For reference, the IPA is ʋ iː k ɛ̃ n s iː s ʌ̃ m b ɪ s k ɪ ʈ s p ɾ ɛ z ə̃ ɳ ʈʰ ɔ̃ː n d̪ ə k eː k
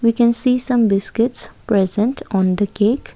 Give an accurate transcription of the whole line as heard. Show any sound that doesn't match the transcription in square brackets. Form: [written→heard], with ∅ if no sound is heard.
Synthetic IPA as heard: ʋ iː k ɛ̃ n s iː s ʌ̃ m b ɪ s k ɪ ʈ s p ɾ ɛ z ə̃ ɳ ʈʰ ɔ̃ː n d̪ ə k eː k